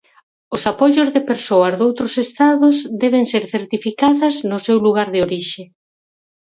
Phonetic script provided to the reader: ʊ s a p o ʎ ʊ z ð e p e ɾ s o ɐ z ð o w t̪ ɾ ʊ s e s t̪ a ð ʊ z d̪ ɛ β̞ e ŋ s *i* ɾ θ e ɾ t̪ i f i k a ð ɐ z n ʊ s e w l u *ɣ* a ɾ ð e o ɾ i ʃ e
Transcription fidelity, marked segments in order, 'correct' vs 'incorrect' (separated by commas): incorrect, correct